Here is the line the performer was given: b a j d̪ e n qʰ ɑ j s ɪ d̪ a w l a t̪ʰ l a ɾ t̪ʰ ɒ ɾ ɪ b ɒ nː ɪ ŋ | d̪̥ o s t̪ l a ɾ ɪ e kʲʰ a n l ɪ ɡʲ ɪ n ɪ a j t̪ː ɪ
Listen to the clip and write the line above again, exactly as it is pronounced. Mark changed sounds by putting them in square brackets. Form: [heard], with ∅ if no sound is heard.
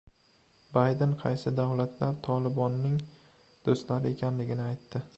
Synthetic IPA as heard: b a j d̪ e n qʰ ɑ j s ɪ d̪ a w l a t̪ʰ l a ɾ t̪ʰ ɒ [l] ɪ b ɒ nː ɪ ŋ | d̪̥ o s t̪ l a ɾ ɪ e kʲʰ a n l ɪ ɡʲ ɪ n ɪ a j t̪ː ɪ